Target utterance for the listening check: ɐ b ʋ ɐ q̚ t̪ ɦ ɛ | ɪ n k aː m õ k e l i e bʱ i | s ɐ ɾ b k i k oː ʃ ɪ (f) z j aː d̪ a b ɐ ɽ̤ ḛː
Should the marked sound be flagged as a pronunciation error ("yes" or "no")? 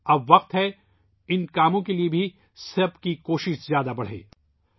yes